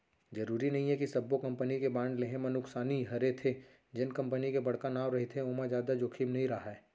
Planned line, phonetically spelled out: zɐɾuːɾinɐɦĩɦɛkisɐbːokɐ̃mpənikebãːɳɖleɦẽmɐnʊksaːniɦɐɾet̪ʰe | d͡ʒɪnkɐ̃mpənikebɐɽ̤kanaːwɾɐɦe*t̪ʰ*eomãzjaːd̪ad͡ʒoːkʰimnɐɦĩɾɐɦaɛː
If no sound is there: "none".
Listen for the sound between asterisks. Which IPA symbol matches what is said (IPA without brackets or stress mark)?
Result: t̪ʰ